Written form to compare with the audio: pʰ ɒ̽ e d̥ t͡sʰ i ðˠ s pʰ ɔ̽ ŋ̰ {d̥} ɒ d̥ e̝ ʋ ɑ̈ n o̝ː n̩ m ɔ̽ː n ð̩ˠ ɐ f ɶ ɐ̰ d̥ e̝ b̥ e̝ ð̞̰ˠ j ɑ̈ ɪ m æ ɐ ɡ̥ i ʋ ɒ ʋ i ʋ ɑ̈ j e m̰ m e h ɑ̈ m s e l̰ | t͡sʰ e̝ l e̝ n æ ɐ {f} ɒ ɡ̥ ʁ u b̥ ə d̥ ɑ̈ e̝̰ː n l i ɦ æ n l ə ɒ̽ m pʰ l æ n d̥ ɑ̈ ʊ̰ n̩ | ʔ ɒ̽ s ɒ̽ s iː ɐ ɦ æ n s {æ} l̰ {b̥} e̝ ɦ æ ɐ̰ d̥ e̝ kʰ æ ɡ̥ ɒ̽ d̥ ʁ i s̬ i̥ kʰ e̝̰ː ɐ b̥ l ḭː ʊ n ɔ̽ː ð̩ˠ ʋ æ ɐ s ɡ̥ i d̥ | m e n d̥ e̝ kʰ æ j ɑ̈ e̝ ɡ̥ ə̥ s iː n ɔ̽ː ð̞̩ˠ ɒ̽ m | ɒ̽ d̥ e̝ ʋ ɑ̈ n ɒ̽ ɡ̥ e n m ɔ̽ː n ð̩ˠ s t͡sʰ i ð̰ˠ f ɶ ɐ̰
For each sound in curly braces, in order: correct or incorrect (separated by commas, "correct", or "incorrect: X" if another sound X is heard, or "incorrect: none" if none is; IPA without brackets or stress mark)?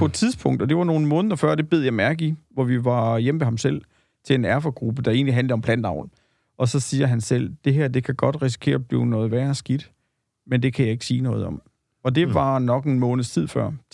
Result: correct, correct, incorrect: e, incorrect: d̥